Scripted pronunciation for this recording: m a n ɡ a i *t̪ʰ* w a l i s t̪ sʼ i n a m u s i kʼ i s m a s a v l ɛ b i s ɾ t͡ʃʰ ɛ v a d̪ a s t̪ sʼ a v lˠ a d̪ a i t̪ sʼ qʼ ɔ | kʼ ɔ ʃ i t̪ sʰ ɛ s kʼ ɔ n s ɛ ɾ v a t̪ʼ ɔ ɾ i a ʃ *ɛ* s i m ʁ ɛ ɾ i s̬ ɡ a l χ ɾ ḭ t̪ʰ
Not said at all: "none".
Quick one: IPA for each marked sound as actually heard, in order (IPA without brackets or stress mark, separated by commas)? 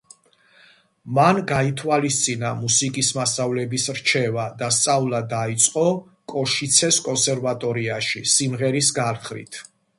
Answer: t̪ʰ, i